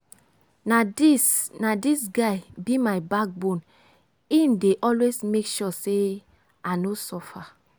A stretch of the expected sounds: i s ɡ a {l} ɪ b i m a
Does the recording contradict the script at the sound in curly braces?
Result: yes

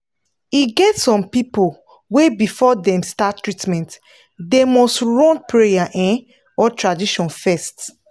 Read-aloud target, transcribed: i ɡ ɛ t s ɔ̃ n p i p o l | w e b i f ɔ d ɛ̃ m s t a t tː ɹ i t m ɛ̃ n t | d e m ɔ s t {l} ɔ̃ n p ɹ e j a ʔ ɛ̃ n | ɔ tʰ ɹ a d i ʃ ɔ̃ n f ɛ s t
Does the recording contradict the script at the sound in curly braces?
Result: yes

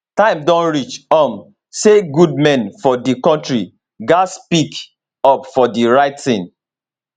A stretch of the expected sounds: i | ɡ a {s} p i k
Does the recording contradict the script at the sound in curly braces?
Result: no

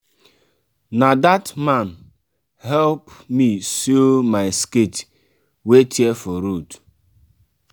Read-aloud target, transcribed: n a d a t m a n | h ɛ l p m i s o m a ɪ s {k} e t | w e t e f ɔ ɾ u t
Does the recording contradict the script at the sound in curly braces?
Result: no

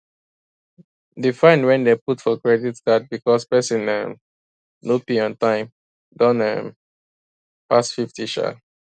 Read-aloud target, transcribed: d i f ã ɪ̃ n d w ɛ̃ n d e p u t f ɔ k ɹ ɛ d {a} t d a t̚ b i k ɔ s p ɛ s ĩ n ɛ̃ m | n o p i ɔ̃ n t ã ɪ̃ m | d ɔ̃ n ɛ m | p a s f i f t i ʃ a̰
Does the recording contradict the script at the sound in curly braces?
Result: yes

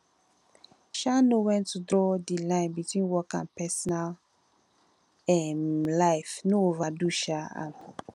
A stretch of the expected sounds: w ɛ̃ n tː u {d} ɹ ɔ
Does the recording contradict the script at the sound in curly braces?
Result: no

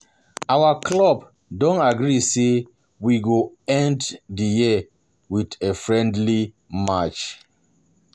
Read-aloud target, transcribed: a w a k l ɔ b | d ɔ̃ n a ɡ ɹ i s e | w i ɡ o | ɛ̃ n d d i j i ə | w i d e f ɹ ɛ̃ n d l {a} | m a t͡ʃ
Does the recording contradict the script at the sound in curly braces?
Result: yes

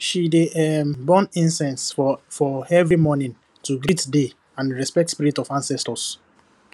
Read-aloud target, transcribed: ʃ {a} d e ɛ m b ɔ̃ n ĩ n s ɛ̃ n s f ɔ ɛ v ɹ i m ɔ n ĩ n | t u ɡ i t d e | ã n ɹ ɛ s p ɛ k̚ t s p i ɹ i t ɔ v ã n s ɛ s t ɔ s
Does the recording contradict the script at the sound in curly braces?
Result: yes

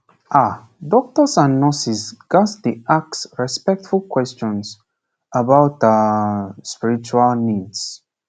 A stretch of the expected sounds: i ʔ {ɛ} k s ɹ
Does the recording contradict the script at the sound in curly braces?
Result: yes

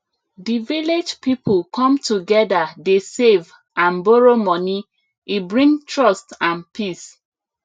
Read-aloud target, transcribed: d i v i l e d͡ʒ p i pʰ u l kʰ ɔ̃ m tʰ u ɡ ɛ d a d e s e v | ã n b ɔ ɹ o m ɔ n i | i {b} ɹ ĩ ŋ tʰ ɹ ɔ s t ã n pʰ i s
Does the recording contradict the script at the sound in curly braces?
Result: no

